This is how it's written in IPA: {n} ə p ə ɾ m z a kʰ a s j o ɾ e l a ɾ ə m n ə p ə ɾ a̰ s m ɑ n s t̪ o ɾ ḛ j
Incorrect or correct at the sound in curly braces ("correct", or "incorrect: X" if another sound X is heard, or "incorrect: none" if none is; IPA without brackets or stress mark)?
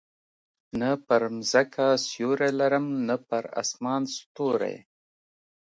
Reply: correct